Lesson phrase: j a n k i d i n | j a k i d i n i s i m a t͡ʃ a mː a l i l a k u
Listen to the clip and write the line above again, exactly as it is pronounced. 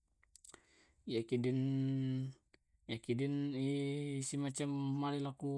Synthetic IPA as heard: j a k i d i n | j a k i d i n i s i m a t͡ʃ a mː a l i l a k u